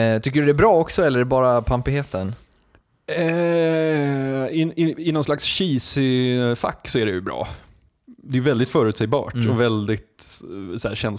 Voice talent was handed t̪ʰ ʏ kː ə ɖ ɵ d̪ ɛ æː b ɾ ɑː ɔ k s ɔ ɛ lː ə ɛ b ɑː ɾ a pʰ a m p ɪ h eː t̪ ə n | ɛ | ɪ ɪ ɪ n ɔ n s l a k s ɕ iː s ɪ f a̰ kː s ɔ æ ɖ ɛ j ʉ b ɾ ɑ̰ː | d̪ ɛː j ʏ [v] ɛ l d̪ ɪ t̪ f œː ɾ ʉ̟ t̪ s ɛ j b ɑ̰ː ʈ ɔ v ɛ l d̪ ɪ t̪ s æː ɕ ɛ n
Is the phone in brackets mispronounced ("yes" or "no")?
no